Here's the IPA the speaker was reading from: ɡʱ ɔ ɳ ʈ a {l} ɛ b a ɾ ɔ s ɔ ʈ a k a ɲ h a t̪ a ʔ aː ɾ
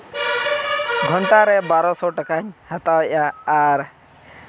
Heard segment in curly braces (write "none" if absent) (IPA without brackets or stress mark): ɾ